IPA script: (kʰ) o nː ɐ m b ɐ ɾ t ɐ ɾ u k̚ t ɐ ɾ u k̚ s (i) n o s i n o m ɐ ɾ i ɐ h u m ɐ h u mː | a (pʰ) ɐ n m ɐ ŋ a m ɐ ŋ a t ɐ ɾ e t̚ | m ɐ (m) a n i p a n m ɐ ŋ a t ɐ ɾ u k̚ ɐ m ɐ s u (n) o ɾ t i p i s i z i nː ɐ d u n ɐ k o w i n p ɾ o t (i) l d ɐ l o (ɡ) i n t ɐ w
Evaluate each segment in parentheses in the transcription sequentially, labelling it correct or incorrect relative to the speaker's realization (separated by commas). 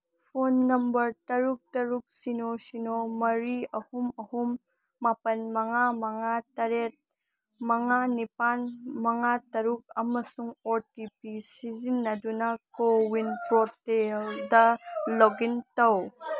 incorrect, correct, incorrect, incorrect, incorrect, incorrect, correct